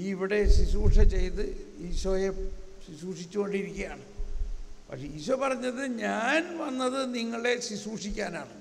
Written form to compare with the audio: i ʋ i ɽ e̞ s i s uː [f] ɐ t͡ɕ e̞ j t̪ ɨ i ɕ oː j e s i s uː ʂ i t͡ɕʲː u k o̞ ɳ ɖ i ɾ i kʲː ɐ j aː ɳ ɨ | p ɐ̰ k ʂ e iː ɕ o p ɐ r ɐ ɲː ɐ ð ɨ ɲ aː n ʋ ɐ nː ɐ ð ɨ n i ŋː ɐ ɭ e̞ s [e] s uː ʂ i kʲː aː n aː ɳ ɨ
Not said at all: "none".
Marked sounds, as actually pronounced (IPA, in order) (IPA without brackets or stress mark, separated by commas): ʂ, i